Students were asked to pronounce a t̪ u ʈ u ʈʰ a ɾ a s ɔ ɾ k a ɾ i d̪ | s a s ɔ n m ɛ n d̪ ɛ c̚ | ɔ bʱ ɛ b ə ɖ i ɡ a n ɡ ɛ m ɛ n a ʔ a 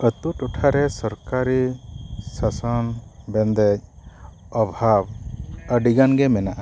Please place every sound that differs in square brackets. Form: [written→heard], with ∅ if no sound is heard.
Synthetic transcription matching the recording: [a→ə] t̪ u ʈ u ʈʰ a ɾ [a→ɛ] s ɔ ɾ k a ɾ i [d̪→∅] | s a s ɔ n [m→b] ɛ n d̪ ɛ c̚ | ɔ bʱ [ɛ→a] b ə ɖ i ɡ a n ɡ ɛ m ɛ n a ʔ a